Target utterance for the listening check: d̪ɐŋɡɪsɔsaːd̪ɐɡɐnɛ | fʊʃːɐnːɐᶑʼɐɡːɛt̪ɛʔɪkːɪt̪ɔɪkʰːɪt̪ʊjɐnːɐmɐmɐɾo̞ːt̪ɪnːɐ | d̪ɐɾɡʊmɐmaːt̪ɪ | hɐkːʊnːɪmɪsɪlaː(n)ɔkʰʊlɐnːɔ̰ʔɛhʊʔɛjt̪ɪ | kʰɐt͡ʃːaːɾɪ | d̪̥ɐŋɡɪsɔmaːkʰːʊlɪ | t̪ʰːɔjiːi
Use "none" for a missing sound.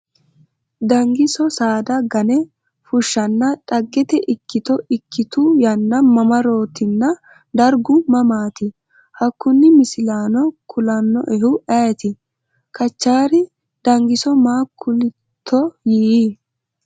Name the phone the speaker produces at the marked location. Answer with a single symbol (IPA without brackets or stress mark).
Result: n